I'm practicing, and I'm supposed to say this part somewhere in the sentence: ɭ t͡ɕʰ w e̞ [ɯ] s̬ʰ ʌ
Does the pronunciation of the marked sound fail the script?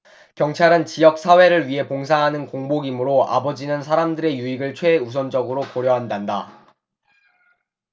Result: yes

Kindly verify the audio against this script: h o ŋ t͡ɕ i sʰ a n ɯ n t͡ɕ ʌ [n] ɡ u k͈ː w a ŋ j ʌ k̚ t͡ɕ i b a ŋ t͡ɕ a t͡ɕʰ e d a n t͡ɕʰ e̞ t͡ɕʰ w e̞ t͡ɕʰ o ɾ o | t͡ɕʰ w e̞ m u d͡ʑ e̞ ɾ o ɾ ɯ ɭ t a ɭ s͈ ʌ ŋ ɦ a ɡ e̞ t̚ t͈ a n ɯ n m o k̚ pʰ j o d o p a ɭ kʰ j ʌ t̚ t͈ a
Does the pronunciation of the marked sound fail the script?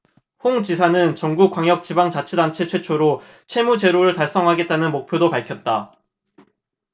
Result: yes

